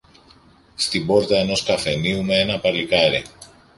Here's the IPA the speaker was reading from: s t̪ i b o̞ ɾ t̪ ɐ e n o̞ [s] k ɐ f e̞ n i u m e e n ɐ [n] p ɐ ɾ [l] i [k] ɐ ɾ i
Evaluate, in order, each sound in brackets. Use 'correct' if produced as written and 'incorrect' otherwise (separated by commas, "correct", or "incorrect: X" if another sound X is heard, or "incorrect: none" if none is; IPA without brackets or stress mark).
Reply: correct, incorrect: none, correct, correct